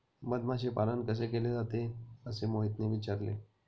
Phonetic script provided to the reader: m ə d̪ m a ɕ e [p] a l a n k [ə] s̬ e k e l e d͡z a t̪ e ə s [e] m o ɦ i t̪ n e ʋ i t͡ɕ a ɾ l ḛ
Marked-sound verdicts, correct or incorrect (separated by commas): correct, correct, correct